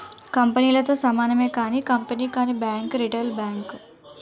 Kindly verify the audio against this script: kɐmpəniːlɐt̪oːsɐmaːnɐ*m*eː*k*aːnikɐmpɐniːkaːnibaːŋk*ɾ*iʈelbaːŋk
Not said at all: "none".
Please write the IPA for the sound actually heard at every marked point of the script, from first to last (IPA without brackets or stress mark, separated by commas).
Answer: m, k, ɾ